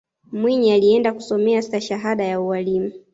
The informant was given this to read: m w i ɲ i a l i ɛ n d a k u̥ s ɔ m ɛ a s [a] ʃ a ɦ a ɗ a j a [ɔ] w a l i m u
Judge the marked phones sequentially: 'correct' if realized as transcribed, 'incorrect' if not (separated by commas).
correct, incorrect